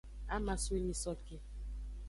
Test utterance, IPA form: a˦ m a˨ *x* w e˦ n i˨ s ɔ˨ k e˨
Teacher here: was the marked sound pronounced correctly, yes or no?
no